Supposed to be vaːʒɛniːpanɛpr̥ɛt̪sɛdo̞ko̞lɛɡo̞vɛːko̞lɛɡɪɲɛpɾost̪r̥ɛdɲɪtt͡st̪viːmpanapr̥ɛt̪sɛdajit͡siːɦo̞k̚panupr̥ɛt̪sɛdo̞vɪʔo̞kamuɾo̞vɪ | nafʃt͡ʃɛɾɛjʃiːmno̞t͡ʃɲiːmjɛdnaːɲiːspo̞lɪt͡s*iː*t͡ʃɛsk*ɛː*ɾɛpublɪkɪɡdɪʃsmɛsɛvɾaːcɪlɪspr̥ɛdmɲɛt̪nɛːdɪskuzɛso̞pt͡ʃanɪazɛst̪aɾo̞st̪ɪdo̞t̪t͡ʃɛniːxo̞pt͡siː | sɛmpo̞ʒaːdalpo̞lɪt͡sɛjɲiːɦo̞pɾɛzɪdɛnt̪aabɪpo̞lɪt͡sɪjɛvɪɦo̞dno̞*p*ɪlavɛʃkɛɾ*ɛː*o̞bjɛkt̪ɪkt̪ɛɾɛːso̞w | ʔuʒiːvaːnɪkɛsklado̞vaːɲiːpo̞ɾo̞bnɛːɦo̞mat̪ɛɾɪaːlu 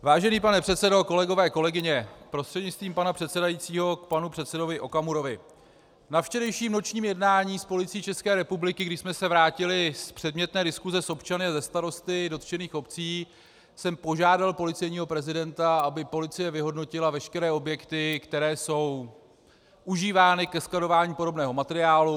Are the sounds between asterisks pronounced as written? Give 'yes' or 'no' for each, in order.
yes, yes, no, yes

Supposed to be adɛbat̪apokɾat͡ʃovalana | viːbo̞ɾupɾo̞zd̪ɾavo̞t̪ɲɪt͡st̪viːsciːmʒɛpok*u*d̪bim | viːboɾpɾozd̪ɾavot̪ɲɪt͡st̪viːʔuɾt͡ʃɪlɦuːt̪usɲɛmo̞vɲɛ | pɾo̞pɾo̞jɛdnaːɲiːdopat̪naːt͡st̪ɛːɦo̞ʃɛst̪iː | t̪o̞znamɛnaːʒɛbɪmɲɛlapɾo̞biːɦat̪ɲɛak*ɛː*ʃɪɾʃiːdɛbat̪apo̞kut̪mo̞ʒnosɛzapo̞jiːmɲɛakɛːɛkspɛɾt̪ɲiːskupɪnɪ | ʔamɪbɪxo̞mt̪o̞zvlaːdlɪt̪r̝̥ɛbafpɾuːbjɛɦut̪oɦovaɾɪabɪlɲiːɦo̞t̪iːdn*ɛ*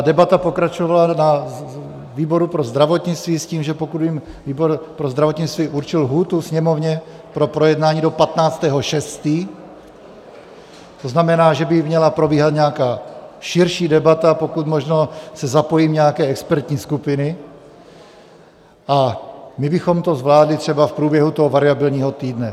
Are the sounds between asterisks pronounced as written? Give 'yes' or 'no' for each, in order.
yes, no, yes

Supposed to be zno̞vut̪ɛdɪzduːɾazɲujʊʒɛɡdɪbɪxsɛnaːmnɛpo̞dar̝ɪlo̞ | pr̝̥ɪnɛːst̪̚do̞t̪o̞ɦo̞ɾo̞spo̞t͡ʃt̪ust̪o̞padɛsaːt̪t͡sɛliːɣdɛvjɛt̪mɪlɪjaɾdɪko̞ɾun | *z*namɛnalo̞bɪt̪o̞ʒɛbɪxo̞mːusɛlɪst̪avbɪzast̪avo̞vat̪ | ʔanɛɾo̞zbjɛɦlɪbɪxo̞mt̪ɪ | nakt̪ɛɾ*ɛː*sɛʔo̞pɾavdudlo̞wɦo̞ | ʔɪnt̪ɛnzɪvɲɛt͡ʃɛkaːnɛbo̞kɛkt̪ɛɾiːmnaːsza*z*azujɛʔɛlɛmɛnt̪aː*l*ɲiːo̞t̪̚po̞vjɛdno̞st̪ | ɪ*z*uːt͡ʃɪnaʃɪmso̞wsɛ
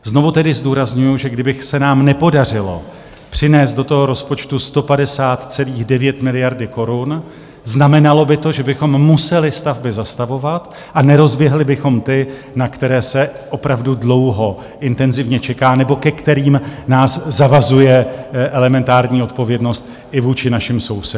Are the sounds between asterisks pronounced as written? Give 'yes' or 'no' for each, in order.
yes, yes, no, no, no

